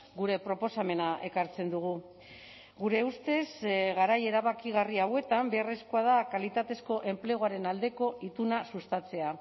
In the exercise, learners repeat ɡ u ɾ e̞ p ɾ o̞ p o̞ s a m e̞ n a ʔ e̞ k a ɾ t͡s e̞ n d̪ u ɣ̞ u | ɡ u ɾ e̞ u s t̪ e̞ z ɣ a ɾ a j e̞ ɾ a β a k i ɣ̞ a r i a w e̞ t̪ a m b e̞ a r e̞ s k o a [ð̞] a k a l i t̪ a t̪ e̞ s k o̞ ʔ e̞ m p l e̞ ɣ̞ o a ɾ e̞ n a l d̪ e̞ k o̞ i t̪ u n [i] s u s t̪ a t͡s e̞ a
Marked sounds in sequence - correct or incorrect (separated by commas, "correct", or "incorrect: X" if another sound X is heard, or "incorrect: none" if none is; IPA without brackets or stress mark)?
correct, incorrect: a